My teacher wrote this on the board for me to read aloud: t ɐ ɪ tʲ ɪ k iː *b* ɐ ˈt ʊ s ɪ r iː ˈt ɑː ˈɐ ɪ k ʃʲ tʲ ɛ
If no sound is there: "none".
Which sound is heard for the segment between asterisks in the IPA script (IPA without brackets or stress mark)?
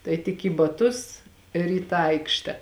b